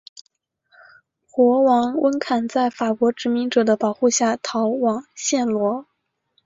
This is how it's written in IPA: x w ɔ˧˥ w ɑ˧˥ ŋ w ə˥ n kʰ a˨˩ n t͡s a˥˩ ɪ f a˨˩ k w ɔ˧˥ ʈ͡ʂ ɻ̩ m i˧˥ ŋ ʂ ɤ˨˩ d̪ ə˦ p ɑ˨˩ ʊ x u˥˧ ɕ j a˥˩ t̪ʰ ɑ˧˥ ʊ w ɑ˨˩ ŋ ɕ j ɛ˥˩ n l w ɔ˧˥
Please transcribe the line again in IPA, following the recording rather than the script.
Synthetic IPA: x w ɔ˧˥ w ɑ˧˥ ŋ w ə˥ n kʰ a˨˩ n t͡s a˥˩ ɪ f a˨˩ k w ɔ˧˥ ʈ͡ʂ ɻ̩ m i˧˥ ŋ ʈ͡ʂ ɤ˨˩ d̪ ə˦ p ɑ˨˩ ʊ x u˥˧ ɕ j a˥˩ t̪ʰ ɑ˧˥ ʊ w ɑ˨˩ ŋ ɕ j ɛ˥˩ n l w ɔ˧˥